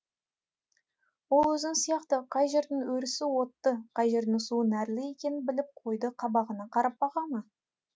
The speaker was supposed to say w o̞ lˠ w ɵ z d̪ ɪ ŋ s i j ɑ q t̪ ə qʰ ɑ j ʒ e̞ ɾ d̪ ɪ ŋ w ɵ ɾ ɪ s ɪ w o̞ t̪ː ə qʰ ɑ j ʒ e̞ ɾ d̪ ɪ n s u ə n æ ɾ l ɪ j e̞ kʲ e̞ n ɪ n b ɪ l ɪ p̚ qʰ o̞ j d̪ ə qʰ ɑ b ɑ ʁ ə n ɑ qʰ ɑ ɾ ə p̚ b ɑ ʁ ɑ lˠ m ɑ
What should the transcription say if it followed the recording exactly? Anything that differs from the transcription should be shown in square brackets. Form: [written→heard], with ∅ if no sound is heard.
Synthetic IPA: w o̞ lˠ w ɵ z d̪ ɪ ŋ s i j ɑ q t̪ ə qʰ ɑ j ʒ e̞ ɾ d̪ ɪ ŋ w ɵ ɾ ɪ s ɪ w o̞ t̪ː ə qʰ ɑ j ʒ e̞ ɾ d̪ ɪ [n→ŋ] s u ə n æ ɾ l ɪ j e̞ kʲ e̞ n ɪ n b ɪ l ɪ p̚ qʰ o̞ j d̪ ə qʰ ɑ b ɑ ʁ ə n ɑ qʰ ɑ ɾ [ə→ɑ] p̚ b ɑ ʁ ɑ [lˠ→∅] m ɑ